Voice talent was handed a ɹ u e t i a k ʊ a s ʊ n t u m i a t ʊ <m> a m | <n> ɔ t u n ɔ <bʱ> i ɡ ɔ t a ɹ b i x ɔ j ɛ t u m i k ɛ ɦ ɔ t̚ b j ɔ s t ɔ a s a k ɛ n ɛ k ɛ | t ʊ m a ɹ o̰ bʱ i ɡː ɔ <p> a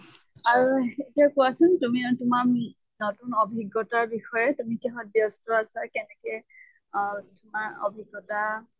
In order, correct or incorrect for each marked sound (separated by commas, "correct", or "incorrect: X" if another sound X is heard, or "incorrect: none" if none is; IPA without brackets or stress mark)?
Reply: correct, correct, correct, incorrect: t